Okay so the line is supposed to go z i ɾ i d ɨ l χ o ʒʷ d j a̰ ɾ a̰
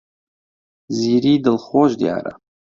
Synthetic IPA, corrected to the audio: z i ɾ i d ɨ l χ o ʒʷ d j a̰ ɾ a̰